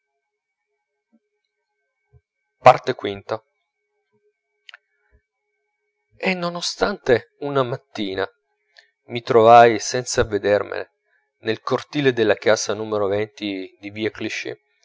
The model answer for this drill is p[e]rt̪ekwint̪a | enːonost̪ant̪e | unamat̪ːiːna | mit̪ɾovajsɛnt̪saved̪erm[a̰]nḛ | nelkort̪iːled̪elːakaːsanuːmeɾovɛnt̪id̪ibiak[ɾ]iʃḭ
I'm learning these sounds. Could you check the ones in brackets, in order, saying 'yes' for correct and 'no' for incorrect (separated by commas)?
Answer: no, no, no